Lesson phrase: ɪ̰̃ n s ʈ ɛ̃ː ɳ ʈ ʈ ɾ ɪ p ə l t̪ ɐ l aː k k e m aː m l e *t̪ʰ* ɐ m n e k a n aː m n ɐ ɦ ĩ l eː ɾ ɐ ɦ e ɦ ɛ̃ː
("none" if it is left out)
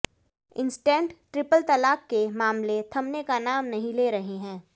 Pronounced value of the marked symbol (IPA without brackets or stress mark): t̪ʰ